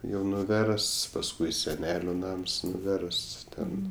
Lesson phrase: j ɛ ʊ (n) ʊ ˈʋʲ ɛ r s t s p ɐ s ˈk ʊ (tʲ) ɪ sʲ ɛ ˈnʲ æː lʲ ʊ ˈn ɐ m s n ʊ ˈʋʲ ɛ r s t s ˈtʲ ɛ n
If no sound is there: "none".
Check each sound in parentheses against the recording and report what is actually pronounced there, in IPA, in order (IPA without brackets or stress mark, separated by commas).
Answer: n, none